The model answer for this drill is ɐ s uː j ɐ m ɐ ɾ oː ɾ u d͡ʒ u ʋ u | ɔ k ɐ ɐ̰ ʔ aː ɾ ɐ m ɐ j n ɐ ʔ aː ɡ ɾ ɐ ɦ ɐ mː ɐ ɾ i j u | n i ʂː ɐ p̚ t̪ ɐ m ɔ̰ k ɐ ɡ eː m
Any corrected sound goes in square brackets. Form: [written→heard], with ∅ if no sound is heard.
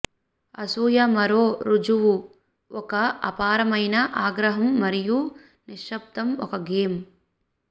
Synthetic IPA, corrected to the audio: ɐ s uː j ɐ m ɐ ɾ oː ɾ u d͡ʒ u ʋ u | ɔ k ɐ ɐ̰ [ʔ→p] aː ɾ ɐ m ɐ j n ɐ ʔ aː ɡ ɾ ɐ ɦ ɐ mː ɐ ɾ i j u | n i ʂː ɐ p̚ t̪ ɐ m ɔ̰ k ɐ ɡ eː m